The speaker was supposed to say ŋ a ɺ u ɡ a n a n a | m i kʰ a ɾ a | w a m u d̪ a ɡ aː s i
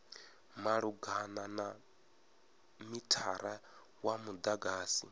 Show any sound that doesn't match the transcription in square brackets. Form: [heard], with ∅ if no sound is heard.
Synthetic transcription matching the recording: [m] a ɺ u ɡ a n a n a | m i [tʰ] a ɾ a | w a m u d̪ a ɡ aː s i

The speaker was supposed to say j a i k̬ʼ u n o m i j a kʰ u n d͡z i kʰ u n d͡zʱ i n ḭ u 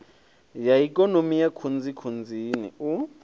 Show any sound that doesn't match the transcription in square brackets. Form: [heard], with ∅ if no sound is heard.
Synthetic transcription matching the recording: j a i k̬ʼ [ɔ] n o m i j a kʰ u n d͡z i kʰ u n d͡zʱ i n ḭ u

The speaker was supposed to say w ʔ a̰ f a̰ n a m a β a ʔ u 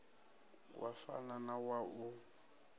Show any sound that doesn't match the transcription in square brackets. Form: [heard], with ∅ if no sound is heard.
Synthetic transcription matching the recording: w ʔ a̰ f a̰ n a [n] a [w] a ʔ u

